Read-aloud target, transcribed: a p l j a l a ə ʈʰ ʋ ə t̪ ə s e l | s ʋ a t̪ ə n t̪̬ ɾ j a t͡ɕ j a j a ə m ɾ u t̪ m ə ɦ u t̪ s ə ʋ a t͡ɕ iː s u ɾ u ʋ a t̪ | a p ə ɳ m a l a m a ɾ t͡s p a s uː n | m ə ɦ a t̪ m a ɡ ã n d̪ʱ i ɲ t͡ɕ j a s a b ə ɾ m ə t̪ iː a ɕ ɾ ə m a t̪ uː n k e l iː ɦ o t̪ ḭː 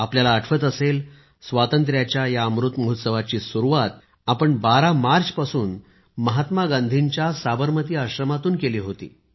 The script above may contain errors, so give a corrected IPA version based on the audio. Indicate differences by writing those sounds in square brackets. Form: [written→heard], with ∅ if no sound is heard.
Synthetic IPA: a p l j a l a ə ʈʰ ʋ ə t̪ ə s e l | s ʋ a t̪ ə n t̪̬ ɾ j a t͡ɕ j a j a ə m ɾ u t̪ m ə ɦ u t̪ s ə ʋ a t͡ɕ iː s u ɾ u ʋ a t̪ | a p ə ɳ [m→b] a [l→ɾ] a m a ɾ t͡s p a s uː n | m ə ɦ a t̪ m a ɡ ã n d̪ʱ i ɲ t͡ɕ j a s a b ə ɾ m ə t̪ iː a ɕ ɾ ə m a t̪ uː n k e l iː ɦ o t̪ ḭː